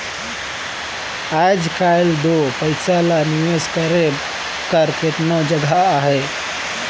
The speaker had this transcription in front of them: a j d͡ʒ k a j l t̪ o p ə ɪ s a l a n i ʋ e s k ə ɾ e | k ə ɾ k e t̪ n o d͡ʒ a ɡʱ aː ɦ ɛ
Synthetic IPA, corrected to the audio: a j d͡ʒ k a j l d̪ o p ə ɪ s a l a n i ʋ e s k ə ɾ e | k ə ɾ k e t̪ n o d͡ʒ ə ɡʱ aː ɦ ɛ